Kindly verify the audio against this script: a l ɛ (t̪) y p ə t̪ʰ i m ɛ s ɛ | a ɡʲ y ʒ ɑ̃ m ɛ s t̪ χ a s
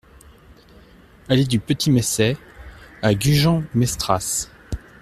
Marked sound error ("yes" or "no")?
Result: yes